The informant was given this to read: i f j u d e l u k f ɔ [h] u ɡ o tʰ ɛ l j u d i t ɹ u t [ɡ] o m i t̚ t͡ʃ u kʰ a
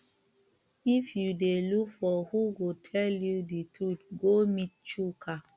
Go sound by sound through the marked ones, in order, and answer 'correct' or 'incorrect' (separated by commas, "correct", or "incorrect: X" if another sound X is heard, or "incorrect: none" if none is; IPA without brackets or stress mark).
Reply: correct, correct